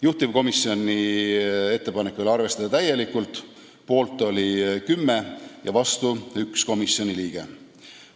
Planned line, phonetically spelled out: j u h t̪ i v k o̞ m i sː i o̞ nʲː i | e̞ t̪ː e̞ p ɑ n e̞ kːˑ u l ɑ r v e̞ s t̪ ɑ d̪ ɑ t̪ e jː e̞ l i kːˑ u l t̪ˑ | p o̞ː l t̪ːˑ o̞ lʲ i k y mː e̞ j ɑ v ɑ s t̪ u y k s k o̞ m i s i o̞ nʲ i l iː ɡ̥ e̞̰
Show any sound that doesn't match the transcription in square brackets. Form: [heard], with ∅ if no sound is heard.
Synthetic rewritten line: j u h t̪ i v k o̞ m i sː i o̞ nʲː i | e̞ t̪ː e̞ p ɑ n e̞ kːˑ u l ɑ r v e̞ s t̪ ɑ d̪ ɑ t̪ [æ] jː e̞ l i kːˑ u l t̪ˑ | p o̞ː l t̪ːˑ o̞ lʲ i k y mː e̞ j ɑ v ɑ s t̪ u y k s k o̞ m i s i o̞ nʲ i l iː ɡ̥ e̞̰